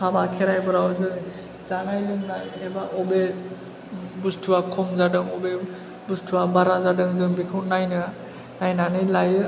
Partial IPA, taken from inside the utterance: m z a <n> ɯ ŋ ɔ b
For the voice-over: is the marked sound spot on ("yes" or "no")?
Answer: no